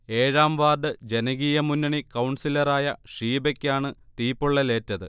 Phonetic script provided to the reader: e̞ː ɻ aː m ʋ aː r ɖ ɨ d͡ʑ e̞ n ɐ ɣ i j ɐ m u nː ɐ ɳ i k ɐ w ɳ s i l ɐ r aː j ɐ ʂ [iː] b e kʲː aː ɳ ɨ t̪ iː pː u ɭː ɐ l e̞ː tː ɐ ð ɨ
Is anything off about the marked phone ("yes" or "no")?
no